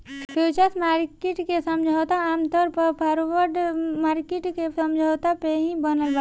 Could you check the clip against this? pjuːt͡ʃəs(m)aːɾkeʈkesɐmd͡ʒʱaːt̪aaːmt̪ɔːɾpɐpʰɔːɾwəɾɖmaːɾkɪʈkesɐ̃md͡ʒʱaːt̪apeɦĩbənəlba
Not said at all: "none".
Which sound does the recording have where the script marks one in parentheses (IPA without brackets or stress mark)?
m